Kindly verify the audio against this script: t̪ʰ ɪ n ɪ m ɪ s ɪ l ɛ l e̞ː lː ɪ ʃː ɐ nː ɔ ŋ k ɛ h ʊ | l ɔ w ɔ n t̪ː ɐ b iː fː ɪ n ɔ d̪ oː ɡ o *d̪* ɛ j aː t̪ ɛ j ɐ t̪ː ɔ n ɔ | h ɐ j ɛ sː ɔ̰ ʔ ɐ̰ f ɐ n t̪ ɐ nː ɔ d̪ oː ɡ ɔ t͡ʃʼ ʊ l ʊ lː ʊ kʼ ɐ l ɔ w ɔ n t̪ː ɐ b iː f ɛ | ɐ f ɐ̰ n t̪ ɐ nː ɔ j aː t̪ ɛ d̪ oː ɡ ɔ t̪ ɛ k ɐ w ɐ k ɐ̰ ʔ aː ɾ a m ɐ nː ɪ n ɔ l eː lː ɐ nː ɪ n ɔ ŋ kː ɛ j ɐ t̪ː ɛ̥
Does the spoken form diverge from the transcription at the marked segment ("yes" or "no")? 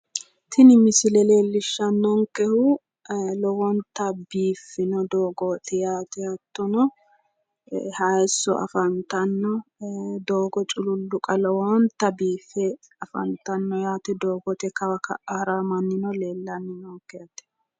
yes